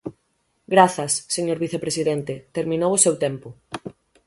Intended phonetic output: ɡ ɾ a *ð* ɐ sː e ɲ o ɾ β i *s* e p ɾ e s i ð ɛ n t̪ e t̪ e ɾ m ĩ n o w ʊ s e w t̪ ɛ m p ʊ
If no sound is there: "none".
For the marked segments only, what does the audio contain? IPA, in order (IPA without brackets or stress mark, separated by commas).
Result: θ, θ